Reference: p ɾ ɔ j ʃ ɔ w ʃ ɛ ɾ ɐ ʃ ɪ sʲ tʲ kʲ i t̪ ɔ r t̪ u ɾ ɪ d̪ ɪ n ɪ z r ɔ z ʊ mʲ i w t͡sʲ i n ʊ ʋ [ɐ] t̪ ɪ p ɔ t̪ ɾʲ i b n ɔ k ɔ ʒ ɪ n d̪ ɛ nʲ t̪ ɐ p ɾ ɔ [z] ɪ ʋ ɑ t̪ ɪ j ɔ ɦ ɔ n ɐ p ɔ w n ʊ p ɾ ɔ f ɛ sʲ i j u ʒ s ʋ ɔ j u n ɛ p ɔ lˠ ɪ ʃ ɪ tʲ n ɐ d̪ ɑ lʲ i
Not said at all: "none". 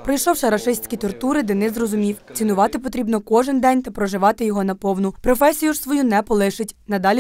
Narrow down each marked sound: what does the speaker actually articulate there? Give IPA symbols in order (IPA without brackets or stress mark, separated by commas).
ɑ, ʒ